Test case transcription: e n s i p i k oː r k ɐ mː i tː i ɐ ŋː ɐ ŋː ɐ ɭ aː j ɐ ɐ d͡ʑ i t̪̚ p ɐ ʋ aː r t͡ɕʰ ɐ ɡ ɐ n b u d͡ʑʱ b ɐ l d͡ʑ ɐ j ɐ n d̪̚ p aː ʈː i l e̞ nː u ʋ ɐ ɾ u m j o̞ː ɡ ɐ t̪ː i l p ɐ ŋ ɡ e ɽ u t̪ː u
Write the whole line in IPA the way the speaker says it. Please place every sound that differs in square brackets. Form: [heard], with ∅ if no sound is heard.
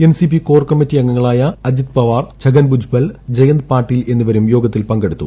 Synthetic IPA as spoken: e n s i p i k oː r k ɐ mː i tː i ɐ ŋː ɐ ŋː ɐ ɭ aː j ɐ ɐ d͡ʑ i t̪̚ p ɐ ʋ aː r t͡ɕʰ ɐ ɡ ɐ n b u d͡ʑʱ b ɐ l d͡ʑ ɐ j ɐ n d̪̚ p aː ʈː i l e̞ nː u ʋ ɐ ɾ u m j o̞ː ɡ ɐ t̪ː i l p ɐ ŋ ɡ e ɽ u t̪ː u